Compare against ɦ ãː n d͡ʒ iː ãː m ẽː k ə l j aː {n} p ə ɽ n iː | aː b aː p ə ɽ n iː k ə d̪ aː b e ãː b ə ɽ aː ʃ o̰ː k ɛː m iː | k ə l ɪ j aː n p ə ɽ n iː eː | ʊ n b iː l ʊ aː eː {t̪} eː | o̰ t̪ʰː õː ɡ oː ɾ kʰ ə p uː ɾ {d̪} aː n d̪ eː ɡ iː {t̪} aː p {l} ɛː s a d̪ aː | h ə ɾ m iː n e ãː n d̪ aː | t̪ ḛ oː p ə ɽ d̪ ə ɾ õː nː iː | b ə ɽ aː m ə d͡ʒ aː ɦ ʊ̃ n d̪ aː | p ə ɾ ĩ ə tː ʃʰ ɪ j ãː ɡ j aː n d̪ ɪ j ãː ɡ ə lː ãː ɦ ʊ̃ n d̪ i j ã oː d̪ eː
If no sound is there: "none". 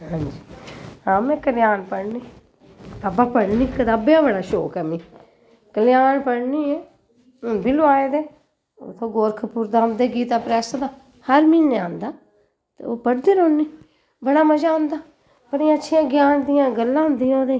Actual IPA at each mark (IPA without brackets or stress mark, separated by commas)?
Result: n, d̪, d̪, t̪, ɾ